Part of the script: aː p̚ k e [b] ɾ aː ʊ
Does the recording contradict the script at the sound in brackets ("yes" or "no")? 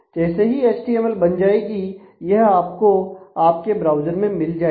no